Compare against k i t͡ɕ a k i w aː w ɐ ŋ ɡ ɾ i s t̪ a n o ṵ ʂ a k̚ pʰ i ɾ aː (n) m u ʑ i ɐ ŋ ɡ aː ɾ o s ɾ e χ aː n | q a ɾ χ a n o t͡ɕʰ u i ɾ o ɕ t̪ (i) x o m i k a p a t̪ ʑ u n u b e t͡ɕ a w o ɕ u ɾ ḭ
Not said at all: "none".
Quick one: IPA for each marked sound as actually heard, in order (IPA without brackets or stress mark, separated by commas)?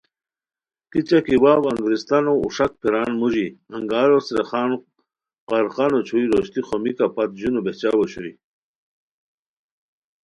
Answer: n, i